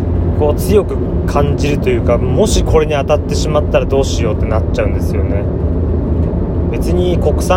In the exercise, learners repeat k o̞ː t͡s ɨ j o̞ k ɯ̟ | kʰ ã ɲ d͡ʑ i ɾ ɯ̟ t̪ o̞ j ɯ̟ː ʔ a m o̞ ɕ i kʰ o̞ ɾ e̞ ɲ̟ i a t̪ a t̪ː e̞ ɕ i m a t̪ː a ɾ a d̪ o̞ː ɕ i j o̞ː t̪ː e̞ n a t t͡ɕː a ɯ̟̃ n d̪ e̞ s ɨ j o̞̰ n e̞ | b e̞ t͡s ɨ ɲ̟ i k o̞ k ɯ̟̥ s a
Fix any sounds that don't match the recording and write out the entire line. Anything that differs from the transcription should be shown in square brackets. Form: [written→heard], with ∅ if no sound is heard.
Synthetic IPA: k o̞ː t͡s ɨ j o̞ k ɯ̟ | kʰ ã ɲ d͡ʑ i ɾ ɯ̟ t̪ o̞ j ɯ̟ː [ʔ→k] a m o̞ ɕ i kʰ o̞ ɾ e̞ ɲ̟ i a t̪ a t̪ː e̞ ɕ i m a t̪ː a ɾ a d̪ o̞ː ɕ i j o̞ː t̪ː e̞ n a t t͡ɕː a ɯ̟̃ n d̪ e̞ s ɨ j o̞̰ n e̞ | b e̞ t͡s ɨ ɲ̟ i k o̞ k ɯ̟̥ s a